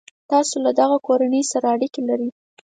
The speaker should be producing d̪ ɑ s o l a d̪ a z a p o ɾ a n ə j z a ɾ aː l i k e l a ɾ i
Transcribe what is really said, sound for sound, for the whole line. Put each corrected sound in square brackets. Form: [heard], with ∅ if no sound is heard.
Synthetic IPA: [t̪] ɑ s o l a d̪ a [ɣ] a [k] o ɾ a n ə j [s] a ɾ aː [ɽ] i k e l a ɾ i